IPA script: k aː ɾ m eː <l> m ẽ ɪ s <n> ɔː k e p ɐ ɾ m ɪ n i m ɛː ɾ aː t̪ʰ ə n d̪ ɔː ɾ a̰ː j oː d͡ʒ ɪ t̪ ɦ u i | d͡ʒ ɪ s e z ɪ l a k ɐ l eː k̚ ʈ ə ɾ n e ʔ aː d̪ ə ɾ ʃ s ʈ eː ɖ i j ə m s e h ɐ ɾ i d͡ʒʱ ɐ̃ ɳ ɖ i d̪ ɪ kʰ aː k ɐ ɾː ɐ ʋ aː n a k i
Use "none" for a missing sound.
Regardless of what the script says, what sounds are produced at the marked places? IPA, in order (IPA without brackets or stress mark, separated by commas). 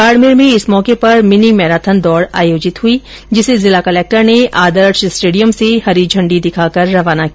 ɾ, m